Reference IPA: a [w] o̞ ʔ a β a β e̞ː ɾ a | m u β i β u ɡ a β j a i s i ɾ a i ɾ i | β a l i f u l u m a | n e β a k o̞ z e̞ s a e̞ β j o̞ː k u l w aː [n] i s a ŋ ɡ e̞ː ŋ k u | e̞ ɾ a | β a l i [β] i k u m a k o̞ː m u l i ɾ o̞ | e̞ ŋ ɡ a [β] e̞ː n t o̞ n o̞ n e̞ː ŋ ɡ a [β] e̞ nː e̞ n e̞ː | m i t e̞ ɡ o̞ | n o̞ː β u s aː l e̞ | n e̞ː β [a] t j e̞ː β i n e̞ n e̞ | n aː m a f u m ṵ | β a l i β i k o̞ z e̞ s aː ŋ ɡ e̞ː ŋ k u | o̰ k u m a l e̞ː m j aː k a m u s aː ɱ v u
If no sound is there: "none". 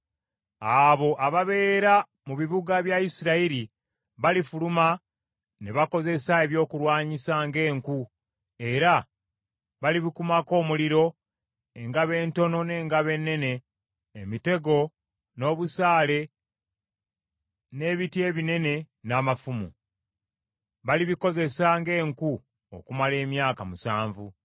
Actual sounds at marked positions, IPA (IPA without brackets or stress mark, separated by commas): β, ɲ, β, β, β, i